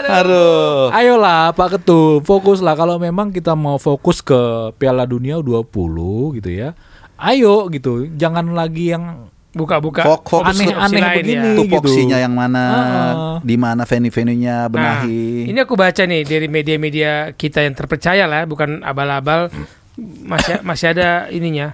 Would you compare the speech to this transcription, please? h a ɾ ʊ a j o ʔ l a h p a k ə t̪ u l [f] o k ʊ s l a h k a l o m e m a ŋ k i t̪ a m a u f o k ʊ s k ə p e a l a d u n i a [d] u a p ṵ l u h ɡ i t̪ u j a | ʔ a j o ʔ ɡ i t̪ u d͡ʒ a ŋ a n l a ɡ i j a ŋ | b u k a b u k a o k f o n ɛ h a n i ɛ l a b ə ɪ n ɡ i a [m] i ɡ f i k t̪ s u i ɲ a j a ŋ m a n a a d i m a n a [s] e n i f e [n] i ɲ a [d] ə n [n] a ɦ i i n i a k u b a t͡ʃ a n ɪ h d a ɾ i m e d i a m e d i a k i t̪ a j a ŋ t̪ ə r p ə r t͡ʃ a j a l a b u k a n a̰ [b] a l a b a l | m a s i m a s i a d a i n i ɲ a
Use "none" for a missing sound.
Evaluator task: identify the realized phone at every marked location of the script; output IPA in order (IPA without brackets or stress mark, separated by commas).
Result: f, d, n, f, n, b, n, b